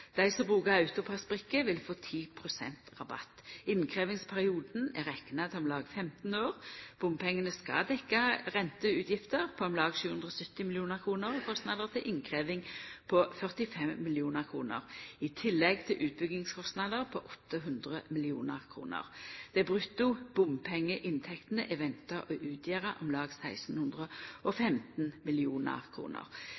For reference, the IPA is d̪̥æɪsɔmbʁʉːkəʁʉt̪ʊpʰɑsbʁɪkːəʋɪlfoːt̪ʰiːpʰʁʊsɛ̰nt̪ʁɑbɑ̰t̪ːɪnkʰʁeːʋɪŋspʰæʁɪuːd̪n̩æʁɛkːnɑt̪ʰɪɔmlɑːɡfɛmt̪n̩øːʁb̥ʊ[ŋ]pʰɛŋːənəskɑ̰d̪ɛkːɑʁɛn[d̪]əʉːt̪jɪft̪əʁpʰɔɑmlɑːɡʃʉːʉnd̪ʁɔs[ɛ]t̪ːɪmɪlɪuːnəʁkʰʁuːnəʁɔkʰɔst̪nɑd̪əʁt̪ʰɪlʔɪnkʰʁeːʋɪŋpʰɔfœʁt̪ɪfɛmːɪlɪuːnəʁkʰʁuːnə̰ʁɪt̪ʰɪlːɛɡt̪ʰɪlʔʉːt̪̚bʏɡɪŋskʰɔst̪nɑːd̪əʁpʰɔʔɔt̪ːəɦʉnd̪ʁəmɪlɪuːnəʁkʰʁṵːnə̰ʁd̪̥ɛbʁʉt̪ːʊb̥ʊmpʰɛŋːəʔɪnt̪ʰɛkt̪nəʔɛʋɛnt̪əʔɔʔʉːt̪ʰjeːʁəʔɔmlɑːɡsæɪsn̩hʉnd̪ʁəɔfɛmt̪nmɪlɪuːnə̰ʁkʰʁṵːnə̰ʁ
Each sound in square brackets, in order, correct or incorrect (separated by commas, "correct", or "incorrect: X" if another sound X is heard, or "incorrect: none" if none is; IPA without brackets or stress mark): incorrect: m, incorrect: t̪, incorrect: œ